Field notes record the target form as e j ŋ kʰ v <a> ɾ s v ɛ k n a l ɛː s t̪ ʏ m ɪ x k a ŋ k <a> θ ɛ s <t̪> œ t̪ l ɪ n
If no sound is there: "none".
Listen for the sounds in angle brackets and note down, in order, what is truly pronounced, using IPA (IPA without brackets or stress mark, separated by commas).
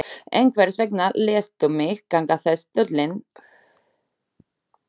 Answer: ɛ, a, t̪